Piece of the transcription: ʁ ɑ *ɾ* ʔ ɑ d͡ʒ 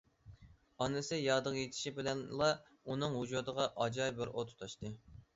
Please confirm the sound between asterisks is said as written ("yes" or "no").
no